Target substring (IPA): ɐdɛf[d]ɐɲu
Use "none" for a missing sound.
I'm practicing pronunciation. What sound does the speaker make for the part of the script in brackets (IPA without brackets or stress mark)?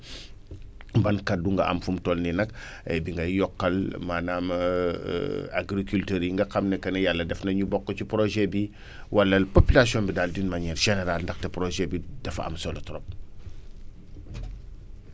n